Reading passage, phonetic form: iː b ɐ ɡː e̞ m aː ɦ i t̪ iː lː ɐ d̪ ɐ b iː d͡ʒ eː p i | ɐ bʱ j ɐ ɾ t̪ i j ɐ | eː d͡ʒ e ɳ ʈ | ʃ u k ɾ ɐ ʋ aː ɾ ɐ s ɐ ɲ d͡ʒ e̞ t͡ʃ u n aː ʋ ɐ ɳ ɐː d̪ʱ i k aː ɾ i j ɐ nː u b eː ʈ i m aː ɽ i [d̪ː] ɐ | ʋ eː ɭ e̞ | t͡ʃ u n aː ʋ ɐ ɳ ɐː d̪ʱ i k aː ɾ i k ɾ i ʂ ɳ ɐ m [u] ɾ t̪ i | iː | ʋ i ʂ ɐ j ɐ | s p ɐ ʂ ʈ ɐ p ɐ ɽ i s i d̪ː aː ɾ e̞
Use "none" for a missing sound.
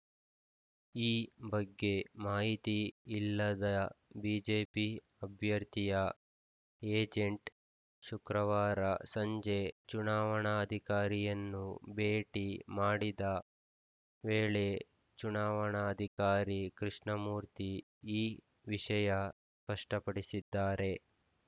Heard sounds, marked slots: d̪, uː

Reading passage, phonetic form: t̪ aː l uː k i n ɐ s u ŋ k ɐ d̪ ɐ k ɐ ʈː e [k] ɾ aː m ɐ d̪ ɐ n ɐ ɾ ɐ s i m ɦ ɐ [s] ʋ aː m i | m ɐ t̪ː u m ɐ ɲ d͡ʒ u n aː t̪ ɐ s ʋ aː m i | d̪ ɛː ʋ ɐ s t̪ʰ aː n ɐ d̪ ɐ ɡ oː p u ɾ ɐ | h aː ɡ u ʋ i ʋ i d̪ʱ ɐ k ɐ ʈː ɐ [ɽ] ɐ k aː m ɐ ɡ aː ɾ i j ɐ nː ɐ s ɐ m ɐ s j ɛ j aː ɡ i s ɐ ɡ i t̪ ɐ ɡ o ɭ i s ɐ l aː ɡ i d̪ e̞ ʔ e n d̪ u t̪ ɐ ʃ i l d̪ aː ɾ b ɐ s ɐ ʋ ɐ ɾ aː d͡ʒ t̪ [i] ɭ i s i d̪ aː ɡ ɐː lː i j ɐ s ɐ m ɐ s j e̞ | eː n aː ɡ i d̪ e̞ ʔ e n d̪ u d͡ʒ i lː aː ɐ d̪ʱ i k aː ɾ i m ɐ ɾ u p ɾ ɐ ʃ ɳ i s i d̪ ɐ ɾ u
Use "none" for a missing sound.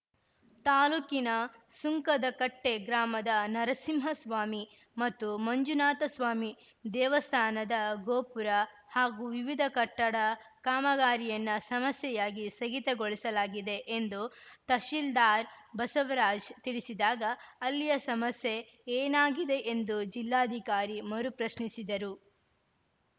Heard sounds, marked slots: ɡ, s, ɽ, i

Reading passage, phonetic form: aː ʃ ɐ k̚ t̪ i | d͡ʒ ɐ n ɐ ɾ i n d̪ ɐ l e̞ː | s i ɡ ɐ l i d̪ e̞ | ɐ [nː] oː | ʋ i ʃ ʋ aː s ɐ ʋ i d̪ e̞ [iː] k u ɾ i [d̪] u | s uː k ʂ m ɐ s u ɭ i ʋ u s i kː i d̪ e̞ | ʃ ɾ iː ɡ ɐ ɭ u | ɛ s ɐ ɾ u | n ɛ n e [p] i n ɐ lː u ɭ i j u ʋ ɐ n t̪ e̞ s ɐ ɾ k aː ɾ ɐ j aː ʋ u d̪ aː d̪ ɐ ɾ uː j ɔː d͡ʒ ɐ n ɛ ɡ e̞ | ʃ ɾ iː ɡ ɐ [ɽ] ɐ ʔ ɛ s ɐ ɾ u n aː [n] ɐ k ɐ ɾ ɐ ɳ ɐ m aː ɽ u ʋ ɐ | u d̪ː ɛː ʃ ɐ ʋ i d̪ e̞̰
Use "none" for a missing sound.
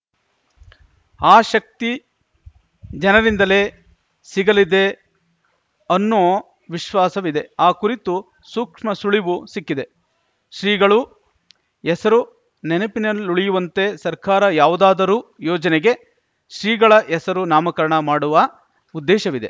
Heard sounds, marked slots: nː, aː, t̪, p, ɭ, m

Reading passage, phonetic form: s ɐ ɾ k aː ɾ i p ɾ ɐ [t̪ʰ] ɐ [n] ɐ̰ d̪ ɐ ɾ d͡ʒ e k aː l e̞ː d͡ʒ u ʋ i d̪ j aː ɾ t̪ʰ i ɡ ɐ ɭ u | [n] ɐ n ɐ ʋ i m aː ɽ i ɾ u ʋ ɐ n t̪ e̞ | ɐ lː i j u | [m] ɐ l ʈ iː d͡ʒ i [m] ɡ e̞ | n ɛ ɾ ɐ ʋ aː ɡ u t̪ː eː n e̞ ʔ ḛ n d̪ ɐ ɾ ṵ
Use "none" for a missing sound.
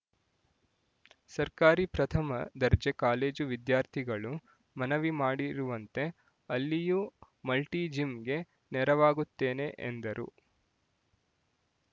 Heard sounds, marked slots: t̪ʰ, m, m, m, m

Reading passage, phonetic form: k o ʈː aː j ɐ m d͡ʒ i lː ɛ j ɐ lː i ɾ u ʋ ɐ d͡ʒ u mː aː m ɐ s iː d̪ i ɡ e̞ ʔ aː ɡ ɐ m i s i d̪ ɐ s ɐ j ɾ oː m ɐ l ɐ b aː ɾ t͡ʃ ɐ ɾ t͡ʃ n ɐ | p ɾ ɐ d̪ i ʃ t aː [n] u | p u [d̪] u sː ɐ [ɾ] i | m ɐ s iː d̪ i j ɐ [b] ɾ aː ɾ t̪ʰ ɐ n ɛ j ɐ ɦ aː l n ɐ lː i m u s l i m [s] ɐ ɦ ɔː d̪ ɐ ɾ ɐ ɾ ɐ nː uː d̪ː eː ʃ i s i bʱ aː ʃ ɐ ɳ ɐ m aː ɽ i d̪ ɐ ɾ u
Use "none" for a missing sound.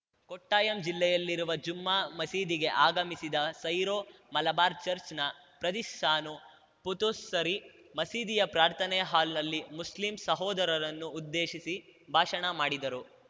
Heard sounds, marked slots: n, t̪, ɾ, p, s

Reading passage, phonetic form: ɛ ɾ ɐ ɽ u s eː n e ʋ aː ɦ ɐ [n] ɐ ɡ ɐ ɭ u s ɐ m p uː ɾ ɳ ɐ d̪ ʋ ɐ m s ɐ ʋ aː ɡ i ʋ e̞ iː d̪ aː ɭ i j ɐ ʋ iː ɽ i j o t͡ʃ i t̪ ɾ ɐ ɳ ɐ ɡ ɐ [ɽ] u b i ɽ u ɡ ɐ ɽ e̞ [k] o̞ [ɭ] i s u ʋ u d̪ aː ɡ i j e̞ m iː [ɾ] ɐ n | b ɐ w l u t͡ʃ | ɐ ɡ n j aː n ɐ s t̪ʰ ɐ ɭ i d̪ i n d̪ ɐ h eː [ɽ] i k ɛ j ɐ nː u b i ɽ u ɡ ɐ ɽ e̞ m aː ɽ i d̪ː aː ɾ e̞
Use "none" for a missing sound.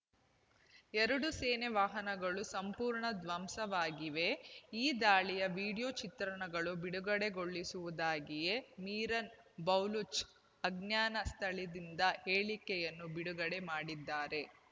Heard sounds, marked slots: n, ɭ, ɡ, ɭː, ɾ, ɭ

